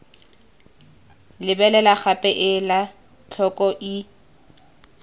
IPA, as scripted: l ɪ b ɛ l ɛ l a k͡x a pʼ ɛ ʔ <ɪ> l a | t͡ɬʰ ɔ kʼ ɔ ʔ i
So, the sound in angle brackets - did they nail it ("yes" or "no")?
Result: yes